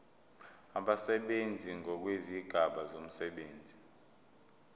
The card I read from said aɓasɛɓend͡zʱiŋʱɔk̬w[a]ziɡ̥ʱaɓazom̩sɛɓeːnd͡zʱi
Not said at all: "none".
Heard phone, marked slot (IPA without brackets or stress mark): e